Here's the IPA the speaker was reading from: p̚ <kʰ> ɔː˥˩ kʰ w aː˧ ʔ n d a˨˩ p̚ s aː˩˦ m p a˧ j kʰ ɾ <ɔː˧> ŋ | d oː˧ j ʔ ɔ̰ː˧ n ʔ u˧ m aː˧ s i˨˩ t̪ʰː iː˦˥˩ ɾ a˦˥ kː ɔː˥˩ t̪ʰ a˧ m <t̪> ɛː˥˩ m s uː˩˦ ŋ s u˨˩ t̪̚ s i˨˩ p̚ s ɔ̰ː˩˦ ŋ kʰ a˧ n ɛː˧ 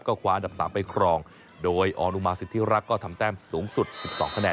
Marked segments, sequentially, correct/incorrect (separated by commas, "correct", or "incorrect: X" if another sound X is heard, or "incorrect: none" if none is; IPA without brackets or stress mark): incorrect: k, correct, correct